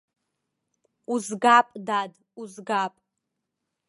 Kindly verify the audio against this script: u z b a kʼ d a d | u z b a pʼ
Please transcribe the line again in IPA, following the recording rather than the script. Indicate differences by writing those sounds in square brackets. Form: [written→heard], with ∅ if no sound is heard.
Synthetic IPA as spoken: u z [b→ɡ] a [kʼ→pʼ] d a d | u z [b→ɡ] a pʼ